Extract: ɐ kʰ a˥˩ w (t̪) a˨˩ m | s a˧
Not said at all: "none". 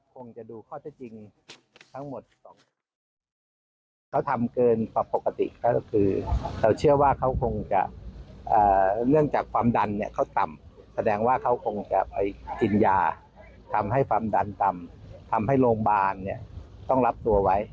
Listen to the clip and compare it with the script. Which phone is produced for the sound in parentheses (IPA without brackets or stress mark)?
t̪